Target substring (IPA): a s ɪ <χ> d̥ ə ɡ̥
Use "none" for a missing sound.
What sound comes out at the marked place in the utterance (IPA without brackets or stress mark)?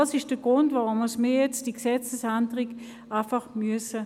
ʃ